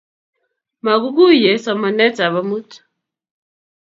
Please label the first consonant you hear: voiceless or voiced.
voiced